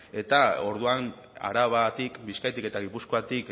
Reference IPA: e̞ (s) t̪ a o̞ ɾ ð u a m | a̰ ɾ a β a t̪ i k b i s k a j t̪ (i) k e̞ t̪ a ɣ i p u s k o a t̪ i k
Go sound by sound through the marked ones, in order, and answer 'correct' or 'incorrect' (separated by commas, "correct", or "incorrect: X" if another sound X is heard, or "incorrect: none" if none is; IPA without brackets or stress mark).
incorrect: none, correct